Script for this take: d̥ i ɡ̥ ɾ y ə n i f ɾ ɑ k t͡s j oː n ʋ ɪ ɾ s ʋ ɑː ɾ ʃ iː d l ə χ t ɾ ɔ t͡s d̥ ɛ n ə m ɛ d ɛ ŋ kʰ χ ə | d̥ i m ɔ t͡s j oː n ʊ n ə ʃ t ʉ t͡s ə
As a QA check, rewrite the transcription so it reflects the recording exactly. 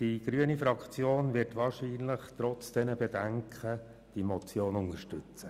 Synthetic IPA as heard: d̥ i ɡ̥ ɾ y ə n i f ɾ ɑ k t͡s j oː n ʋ ɪ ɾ t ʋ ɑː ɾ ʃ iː n l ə χ t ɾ ɔ t͡s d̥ ɛ n ə b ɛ d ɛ ŋ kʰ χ ə | d̥ i m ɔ t͡s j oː n ʊ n ə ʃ t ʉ t͡s ə